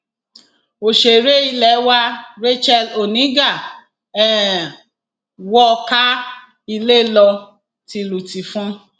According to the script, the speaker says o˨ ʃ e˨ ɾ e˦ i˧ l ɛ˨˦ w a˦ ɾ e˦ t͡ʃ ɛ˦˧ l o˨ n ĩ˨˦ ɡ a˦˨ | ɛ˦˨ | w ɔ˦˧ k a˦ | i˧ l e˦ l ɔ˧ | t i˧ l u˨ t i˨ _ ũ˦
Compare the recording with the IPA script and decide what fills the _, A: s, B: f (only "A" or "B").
B